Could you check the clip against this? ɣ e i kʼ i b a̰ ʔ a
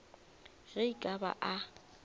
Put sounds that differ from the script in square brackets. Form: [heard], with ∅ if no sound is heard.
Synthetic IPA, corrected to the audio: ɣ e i kʼ [a] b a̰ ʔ a